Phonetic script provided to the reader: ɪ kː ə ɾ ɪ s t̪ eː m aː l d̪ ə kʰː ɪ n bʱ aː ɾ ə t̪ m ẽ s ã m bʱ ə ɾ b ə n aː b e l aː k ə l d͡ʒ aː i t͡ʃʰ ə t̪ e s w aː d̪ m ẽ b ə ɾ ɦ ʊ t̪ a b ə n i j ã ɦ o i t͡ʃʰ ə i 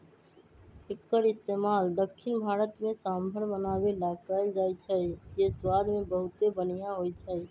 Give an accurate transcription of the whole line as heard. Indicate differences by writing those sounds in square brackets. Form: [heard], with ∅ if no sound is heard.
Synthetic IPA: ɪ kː ə ɾ ɪ s t̪ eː m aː l d̪ ə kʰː ɪ n bʱ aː ɾ ə t̪ m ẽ s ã m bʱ ə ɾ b ə n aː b e l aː k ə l d͡ʒ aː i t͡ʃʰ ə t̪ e s w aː d̪ m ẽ b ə [∅] ɦ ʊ t̪ [e] b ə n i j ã ɦ o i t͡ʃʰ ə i